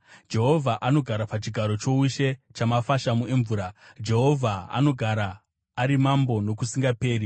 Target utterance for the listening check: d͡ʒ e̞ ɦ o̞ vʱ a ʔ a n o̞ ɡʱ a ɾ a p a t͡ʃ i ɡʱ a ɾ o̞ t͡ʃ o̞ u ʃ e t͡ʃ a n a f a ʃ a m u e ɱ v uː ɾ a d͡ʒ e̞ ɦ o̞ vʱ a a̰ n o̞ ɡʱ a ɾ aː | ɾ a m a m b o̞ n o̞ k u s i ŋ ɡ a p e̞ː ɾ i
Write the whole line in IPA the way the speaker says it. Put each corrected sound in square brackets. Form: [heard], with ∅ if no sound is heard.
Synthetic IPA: d͡ʒ e̞ ɦ o̞ vʱ a ʔ a n o̞ ɡʱ a ɾ a p a t͡ʃ i ɡʱ a ɾ o̞ t͡ʃ o̞ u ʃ e t͡ʃ a [m] a f a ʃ a m u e ɱ v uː ɾ a d͡ʒ e̞ ɦ o̞ vʱ a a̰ n o̞ ɡʱ a ɾ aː | ɾ [i] m a m b o̞ n o̞ k u s i ŋ ɡ a p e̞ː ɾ i

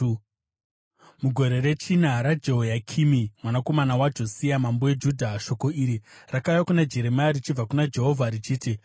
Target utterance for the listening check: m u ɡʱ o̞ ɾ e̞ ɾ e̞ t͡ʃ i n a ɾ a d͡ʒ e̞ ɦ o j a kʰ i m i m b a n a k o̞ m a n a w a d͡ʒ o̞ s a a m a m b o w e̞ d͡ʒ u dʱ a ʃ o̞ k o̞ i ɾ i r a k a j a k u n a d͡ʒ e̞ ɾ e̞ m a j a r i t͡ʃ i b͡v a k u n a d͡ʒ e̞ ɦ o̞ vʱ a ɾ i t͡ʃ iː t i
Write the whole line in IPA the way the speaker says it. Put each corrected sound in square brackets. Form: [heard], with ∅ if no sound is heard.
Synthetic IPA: m u ɡʱ o̞ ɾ e̞ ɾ e̞ t͡ʃ i n a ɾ a d͡ʒ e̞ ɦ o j a kʰ i m i m [w] a n a k o̞ m a n a w a d͡ʒ o̞ s [i] a m a m b o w e̞ d͡ʒ u dʱ a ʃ o̞ k o̞ i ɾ i r a k a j a k u n a d͡ʒ e̞ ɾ e̞ m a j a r i t͡ʃ i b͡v a k u n a d͡ʒ e̞ ɦ o̞ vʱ a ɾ i t͡ʃ iː t i

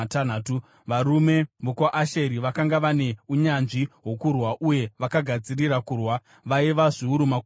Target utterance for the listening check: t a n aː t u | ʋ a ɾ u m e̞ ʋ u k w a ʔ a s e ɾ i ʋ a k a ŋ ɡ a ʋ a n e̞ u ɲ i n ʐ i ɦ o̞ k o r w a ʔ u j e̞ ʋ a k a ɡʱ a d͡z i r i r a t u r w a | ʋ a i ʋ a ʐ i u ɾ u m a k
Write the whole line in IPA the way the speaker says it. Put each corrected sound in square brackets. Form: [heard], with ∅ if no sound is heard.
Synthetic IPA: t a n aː t u | ʋ a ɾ u m e̞ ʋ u k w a ʔ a [ʃ] e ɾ i ʋ a k a ŋ ɡ a ʋ a n e̞ u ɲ [a] n ʐ i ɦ o̞ k [u] r w a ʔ u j e̞ ʋ a k a ɡʱ a d͡z i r i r a [k] u r w a | ʋ a i ʋ a ʐ i u ɾ u m a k

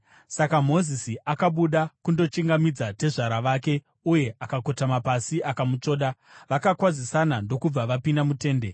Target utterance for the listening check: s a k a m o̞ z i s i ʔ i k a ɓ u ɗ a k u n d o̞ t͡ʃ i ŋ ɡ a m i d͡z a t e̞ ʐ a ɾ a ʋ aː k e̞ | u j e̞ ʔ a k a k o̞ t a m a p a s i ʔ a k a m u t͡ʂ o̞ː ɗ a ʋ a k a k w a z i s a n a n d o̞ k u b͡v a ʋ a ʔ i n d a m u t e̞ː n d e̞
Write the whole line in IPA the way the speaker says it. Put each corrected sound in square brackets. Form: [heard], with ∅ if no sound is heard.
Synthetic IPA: s a k a m o̞ z i s i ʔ [a] k a ɓ u ɗ a k u n d o̞ t͡ʃ i ŋ ɡ a m i d͡z a t e̞ ʐ a ɾ a ʋ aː k e̞ | u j e̞ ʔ a k a k o̞ t a m a p a s i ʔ a k a m u t͡ʂ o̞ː ɗ a ʋ a k a k w a z i s a n a n d o̞ k u b͡v a ʋ a [p] i n d a m u t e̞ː n d e̞

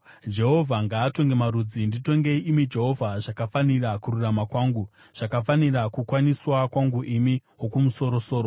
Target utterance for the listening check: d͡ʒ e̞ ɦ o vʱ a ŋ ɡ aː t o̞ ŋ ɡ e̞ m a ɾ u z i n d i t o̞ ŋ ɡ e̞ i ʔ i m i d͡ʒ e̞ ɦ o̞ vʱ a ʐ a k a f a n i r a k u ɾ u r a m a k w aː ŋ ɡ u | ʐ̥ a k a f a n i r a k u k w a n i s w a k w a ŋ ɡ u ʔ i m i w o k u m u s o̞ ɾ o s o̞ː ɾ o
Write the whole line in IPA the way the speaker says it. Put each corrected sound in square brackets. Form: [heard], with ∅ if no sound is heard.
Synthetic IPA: d͡ʒ e̞ ɦ o vʱ a ŋ ɡ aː t o̞ ŋ ɡ e̞ m a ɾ u [d͡z] i n d i t o̞ ŋ ɡ e̞ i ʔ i m i d͡ʒ e̞ ɦ o̞ vʱ a ʐ a k a f a n i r a k u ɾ u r a m a k w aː ŋ ɡ u | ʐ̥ a k a f a n i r a k u k w a n i s w a k w a ŋ ɡ u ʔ i m i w o k u m u s o̞ ɾ o s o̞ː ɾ o

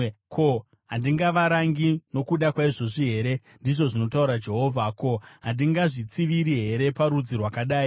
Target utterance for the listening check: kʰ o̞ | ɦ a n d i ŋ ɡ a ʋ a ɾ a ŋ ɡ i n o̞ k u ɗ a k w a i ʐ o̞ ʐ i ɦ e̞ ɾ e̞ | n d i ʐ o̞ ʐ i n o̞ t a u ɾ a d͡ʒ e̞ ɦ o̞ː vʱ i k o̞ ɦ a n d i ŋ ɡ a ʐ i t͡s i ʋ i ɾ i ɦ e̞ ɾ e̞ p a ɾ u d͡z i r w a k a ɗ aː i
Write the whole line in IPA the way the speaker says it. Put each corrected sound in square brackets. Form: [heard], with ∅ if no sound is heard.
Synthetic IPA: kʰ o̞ | ɦ a n d i ŋ ɡ a ʋ a ɾ a ŋ ɡ i n o̞ k u ɗ a k w a i ʐ o̞ ʐ i ɦ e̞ ɾ e̞ | n d i ʐ o̞ ʐ i n o̞ t a u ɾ a d͡ʒ e̞ ɦ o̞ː vʱ [a] k o̞ ɦ a n d i ŋ ɡ a ʐ i t͡s i ʋ i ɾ i ɦ e̞ ɾ e̞ p a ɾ u d͡z i r w a k a ɗ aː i

